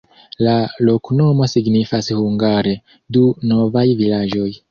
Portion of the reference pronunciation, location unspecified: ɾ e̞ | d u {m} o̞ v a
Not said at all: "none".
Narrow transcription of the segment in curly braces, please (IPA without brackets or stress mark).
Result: n